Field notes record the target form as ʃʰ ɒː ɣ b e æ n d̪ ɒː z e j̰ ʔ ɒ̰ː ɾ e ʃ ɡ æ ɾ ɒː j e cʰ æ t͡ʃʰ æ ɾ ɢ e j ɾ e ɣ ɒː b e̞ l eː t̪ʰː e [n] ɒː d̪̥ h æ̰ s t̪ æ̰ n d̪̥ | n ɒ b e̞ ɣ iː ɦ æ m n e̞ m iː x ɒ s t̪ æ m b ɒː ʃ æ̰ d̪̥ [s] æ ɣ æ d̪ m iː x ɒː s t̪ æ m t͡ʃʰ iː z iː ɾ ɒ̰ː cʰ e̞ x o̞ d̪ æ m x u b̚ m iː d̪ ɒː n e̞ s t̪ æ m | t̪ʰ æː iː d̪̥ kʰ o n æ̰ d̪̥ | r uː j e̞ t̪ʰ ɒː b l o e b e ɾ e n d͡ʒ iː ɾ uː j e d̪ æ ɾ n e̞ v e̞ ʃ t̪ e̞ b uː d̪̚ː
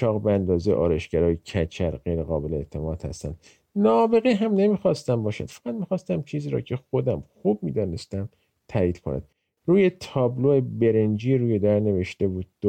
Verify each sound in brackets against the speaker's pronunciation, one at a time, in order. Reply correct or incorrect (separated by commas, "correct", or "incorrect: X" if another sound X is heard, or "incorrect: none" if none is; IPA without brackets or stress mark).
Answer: incorrect: m, incorrect: f